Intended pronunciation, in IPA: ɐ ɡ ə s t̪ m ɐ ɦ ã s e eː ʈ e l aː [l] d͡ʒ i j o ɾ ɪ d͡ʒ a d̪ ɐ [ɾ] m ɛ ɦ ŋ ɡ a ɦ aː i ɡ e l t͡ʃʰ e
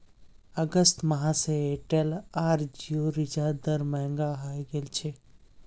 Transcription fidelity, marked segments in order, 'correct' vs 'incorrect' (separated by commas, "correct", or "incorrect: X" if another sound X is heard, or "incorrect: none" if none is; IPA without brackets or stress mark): incorrect: ɾ, correct